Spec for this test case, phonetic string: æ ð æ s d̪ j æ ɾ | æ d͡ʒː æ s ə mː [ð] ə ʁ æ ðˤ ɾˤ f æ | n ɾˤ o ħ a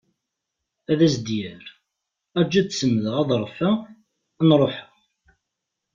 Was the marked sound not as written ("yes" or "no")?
no